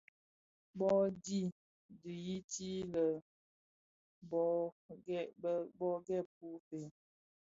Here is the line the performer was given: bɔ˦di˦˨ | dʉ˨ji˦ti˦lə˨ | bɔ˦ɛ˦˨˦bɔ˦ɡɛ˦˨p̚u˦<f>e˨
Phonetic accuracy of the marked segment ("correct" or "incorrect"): correct